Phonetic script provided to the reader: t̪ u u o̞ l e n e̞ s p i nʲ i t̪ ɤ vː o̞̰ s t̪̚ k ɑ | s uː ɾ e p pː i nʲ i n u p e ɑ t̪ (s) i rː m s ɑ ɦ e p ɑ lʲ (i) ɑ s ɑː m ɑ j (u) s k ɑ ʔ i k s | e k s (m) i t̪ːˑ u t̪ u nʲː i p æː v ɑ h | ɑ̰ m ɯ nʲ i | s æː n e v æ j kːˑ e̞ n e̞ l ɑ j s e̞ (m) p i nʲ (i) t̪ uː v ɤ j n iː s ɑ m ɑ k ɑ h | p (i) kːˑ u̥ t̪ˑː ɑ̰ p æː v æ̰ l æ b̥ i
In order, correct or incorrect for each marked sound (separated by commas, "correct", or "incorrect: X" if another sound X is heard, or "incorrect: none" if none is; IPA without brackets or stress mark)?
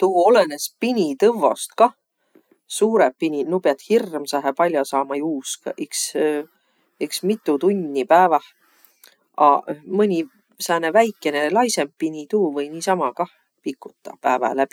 incorrect: h, incorrect: j, incorrect: uː, correct, correct, correct, correct